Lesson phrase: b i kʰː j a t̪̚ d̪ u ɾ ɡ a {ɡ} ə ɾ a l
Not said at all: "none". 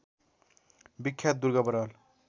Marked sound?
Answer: b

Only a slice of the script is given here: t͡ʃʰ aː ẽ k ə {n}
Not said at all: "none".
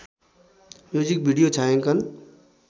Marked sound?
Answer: n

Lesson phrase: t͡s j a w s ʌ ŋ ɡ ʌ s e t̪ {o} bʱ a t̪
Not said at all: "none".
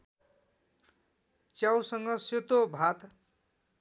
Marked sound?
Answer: o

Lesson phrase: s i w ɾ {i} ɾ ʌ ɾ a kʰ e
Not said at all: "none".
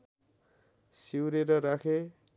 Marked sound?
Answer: e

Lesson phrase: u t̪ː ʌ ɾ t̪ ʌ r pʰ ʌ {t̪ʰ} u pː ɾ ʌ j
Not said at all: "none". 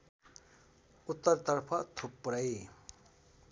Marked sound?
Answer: t̪ʰ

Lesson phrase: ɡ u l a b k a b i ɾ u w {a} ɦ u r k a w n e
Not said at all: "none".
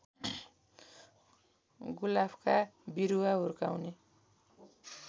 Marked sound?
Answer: a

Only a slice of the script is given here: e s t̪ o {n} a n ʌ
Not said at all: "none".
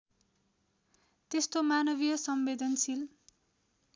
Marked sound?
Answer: m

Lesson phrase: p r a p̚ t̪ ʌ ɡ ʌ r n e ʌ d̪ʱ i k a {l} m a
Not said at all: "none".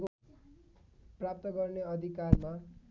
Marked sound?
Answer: r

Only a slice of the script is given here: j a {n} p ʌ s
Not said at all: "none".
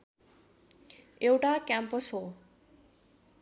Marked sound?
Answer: m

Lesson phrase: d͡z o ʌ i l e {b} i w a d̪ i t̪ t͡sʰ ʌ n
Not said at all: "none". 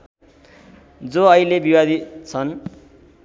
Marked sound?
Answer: b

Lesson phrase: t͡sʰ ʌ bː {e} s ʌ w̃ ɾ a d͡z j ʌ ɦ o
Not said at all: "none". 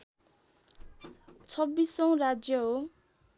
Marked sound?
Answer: i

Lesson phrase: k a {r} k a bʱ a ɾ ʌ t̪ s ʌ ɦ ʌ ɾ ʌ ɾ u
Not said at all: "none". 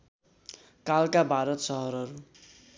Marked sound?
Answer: l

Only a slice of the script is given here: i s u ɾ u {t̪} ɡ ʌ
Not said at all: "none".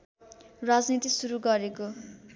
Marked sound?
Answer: none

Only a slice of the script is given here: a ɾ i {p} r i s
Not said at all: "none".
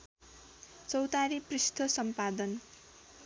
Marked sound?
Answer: p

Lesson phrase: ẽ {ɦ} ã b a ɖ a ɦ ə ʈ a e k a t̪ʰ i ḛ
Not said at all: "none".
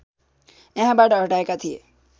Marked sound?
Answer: ɦ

